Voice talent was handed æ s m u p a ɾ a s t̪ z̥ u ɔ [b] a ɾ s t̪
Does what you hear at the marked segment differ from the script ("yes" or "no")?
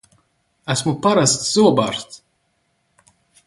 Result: no